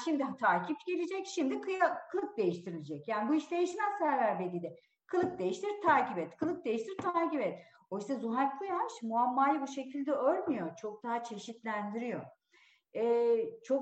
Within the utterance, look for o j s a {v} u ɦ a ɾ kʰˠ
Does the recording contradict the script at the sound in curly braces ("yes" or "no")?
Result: yes